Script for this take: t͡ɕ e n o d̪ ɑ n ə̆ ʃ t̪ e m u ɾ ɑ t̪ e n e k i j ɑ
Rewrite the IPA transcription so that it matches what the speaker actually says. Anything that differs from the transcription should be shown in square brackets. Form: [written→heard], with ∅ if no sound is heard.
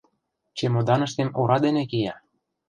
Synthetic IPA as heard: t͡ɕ e [n→m] o d̪ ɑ n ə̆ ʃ t̪ e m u ɾ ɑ [t̪→d̪] e n e k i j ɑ